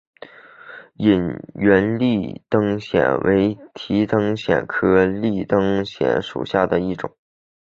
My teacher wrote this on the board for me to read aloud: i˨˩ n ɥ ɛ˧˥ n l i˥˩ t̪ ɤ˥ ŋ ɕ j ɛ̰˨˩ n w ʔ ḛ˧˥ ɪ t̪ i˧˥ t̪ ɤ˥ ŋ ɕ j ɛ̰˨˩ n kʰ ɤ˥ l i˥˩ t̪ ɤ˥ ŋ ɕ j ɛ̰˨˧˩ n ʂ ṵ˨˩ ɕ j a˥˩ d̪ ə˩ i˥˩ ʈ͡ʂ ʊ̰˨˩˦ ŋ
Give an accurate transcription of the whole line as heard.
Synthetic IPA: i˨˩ n ɥ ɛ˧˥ n l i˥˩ t̪ ɤ˥ ŋ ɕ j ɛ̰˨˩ n w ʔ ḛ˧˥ ɪ t̪ʰ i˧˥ t̪ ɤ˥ ŋ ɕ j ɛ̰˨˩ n kʰ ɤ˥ l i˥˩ t̪ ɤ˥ ŋ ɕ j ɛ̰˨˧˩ n ʂ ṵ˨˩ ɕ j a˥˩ d̪ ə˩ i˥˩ ʈ͡ʂ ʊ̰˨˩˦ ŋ